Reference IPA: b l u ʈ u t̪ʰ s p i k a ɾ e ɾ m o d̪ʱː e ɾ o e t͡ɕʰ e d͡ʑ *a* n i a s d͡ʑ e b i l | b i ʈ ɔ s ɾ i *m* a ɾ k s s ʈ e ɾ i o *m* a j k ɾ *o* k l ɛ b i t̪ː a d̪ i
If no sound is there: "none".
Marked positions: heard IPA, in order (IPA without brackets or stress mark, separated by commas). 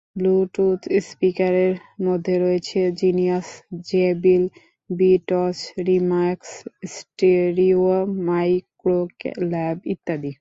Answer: i, m, m, o